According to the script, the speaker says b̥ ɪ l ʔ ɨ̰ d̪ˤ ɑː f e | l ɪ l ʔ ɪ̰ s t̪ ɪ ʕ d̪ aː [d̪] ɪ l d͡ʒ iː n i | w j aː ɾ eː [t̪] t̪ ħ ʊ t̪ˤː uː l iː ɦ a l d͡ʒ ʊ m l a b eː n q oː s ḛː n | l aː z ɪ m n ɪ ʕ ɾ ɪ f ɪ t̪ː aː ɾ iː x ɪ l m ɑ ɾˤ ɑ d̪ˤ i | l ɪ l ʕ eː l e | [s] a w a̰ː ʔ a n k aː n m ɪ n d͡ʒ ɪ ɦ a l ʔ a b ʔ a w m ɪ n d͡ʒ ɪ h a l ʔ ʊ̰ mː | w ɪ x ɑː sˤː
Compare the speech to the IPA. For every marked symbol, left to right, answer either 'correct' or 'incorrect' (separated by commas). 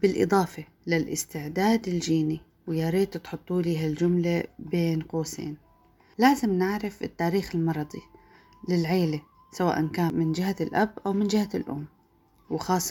correct, correct, correct